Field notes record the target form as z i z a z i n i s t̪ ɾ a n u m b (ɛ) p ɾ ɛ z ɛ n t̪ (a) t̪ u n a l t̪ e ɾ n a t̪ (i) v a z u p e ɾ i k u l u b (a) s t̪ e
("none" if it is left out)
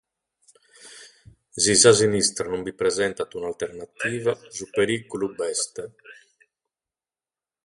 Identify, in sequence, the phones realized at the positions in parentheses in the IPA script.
i, a, iː, ɛ

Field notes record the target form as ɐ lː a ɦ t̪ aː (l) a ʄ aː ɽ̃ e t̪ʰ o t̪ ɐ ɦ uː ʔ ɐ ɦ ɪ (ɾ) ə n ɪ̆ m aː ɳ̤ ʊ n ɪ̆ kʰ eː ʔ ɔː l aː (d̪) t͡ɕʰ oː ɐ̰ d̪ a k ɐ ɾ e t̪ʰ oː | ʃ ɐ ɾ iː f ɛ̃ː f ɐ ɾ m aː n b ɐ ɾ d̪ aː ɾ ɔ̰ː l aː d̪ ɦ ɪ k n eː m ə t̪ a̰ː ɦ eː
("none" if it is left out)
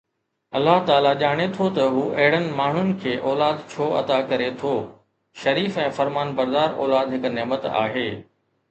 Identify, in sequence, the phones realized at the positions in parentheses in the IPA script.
l, ɽ, d̪

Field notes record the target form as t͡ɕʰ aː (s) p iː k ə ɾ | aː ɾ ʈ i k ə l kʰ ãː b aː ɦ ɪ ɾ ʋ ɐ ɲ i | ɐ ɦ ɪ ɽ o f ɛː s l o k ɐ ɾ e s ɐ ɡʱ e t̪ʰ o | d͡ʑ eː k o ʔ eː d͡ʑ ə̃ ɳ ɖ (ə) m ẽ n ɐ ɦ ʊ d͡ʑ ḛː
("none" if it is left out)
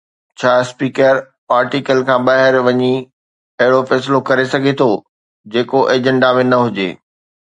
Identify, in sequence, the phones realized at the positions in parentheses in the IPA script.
s, a

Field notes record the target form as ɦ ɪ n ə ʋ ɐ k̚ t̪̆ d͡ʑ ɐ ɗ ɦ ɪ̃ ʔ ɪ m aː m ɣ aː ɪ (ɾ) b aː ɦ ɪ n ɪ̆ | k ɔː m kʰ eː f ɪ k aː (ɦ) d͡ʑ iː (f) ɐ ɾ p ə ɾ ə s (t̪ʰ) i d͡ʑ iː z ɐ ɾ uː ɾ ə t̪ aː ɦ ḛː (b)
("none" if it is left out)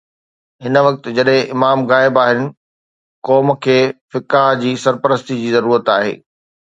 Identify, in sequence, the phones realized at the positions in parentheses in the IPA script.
none, ɦ, s, t̪, none

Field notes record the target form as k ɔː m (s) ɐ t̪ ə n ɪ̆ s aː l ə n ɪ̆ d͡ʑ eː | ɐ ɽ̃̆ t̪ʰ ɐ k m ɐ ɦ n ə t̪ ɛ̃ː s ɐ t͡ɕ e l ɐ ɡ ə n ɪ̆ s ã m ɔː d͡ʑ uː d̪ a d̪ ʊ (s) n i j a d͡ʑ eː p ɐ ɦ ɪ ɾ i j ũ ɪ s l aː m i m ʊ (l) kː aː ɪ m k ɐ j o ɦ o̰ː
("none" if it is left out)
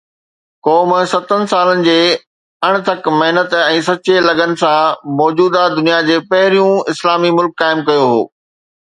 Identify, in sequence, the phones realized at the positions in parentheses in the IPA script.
s, none, l

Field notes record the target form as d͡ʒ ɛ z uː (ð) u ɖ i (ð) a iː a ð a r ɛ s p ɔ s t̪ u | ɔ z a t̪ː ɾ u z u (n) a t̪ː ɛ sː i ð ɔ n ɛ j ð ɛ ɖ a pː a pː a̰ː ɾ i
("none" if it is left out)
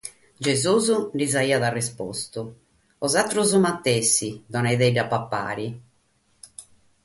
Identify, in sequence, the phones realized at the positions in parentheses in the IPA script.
z, z, m

